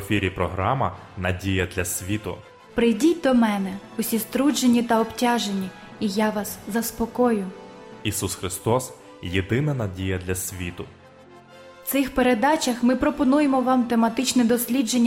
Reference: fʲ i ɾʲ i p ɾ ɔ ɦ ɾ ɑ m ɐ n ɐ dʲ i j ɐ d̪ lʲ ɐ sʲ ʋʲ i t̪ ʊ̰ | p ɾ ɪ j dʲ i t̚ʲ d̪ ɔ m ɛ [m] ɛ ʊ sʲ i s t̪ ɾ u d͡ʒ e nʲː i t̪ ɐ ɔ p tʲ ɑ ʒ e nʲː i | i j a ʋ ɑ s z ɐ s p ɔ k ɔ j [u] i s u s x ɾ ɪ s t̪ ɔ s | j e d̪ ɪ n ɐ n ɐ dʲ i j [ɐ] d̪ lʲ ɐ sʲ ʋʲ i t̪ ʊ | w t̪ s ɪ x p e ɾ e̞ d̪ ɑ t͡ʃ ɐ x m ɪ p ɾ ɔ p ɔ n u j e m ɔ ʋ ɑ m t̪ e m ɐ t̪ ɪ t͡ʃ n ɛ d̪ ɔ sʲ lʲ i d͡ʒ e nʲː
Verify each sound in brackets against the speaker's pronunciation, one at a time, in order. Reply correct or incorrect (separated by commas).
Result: incorrect, incorrect, correct